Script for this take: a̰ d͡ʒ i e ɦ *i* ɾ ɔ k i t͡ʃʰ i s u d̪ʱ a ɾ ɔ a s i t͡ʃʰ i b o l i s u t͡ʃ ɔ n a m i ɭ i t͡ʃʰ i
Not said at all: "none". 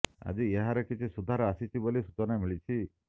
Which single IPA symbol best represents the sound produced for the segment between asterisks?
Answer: a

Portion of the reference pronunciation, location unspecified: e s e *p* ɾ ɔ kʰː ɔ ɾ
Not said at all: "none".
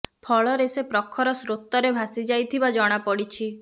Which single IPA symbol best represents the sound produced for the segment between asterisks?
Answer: p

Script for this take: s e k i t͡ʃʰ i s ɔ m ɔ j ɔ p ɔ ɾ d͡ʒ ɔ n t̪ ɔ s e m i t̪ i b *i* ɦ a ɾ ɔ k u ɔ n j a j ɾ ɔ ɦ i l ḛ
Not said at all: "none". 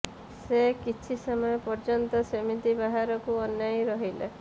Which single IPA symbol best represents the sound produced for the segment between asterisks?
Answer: a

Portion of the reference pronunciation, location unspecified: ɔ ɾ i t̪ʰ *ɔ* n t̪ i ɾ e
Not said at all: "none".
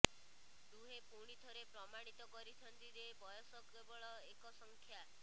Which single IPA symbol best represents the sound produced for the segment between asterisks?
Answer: ɔ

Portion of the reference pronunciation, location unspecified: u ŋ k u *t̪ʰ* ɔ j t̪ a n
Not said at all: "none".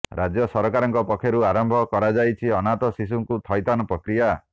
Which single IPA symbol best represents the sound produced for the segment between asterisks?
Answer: t̪ʰ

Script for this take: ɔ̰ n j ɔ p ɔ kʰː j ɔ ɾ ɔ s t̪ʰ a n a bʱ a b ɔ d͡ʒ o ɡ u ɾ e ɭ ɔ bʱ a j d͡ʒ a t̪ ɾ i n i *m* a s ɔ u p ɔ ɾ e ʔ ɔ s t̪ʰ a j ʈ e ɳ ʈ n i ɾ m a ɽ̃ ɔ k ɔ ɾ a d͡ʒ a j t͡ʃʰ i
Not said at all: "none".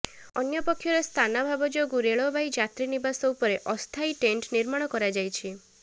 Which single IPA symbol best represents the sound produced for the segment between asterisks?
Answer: b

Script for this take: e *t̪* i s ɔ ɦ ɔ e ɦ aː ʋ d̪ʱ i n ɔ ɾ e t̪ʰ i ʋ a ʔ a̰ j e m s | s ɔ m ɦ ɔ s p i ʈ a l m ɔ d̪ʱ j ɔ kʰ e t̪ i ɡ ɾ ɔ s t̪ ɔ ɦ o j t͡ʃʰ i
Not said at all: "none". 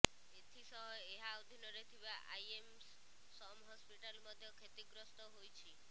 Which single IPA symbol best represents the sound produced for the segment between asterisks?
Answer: t̪ʰ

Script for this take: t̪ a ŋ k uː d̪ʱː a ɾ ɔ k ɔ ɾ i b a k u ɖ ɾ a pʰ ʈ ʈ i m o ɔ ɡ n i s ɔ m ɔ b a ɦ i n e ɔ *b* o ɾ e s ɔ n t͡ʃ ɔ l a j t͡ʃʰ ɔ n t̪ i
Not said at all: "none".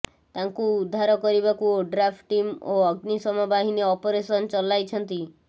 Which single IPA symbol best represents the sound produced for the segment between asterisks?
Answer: p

